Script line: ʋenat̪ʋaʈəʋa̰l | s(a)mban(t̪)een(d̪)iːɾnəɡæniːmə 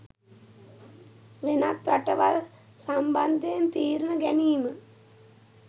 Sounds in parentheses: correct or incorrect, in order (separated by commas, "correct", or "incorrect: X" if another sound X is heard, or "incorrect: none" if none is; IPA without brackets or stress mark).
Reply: correct, incorrect: d̪, incorrect: t̪